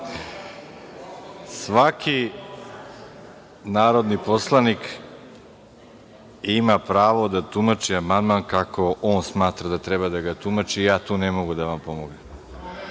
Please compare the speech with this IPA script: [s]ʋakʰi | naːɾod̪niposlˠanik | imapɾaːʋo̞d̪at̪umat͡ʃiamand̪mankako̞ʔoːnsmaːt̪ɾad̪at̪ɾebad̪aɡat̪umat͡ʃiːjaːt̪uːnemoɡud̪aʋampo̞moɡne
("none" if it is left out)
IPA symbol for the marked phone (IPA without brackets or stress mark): s